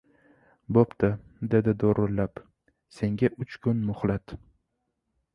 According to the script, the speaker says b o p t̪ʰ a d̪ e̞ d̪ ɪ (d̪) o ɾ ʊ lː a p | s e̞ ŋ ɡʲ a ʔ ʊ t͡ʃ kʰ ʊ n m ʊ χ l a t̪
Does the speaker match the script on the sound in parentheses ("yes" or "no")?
yes